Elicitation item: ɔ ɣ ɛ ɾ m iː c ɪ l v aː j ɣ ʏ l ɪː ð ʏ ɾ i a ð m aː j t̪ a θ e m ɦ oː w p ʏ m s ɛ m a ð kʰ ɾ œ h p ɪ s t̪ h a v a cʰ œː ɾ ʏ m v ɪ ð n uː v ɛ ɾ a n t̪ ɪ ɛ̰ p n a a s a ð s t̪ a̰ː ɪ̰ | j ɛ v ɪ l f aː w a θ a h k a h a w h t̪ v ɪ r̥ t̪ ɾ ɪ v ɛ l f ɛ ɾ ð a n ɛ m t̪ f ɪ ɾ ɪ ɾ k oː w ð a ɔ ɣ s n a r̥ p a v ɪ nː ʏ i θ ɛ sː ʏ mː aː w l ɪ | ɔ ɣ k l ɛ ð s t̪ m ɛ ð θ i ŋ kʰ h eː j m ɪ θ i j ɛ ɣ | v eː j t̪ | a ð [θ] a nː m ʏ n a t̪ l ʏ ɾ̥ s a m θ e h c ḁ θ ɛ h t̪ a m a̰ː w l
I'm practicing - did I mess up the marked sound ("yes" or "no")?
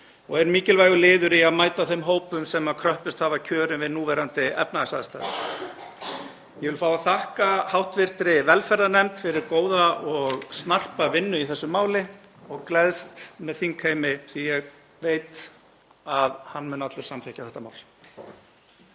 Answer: yes